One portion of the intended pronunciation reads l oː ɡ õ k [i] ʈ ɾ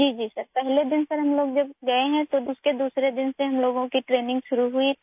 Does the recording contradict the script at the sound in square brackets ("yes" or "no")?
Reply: no